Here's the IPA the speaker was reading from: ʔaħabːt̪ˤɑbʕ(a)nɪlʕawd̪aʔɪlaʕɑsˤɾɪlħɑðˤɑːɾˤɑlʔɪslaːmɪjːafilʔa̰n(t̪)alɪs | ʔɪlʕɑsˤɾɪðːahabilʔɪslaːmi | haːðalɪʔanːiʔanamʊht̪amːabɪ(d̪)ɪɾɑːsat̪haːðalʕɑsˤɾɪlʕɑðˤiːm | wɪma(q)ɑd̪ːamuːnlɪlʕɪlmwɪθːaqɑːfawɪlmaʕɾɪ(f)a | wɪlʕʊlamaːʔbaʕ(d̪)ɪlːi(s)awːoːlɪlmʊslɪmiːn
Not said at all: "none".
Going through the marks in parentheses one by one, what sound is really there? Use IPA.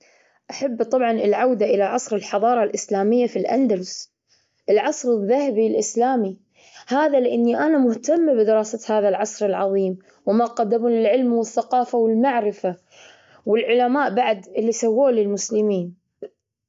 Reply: ɑ, d̪, d̪, q, f, d̪, s

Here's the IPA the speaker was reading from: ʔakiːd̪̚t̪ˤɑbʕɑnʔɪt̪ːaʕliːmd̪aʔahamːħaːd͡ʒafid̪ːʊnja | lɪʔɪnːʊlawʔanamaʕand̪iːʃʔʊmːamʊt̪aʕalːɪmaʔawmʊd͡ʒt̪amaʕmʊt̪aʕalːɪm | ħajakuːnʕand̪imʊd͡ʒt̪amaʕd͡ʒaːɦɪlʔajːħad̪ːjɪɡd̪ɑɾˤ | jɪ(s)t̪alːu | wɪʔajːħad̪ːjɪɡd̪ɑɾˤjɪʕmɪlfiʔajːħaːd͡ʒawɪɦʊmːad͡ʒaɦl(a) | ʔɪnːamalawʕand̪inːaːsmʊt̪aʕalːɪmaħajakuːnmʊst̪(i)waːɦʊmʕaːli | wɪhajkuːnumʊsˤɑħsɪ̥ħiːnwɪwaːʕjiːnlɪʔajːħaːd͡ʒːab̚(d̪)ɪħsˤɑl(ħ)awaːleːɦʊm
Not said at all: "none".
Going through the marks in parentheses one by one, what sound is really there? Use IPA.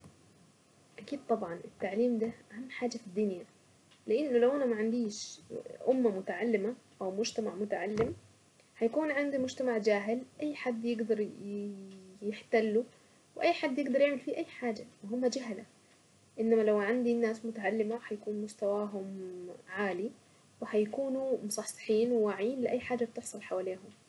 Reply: ħ, a, a, t̪, ħ

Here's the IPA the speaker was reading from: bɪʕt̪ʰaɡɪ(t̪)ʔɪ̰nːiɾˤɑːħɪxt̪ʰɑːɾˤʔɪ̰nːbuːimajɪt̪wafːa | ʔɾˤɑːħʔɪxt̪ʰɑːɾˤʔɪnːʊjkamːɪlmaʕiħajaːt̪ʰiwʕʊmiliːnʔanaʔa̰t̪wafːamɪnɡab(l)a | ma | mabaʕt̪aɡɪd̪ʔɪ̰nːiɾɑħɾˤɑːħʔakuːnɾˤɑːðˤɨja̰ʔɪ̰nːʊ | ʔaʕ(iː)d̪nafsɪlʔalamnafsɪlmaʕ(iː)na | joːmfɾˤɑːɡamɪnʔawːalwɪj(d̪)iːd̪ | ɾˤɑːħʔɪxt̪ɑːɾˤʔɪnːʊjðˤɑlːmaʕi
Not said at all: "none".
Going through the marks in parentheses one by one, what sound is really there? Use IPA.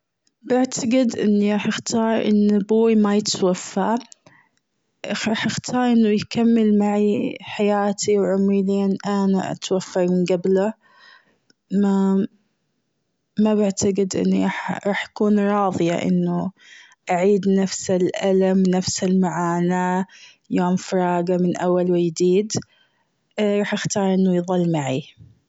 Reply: d̪, l, iː, aː, d̪

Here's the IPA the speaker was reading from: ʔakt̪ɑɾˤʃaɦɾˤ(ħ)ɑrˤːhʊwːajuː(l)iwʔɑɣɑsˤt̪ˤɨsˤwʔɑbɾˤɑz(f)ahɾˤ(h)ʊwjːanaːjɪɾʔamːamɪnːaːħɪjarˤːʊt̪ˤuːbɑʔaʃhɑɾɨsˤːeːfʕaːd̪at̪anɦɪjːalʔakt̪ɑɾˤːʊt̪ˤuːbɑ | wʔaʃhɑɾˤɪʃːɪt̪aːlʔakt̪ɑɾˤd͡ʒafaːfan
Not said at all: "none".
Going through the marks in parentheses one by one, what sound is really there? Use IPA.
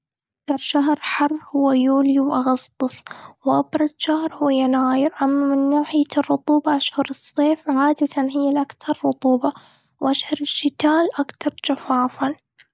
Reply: ħ, l, ʃ, h

